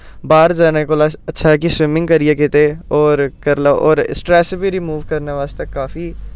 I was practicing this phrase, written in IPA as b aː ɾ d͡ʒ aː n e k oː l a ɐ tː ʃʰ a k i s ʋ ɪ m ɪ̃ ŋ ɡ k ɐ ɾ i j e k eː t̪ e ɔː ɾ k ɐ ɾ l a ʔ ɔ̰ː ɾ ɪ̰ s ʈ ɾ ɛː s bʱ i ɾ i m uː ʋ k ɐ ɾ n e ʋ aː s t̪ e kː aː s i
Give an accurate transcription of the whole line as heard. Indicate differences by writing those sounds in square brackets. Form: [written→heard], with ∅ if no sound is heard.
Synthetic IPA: b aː ɾ d͡ʒ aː n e k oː l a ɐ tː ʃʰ a k i s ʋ ɪ m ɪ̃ ŋ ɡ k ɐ ɾ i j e k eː t̪ e ɔː ɾ k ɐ ɾ l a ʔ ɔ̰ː ɾ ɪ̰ s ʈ ɾ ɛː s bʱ i ɾ i m uː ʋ k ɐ ɾ n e ʋ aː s t̪ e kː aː [s→f] i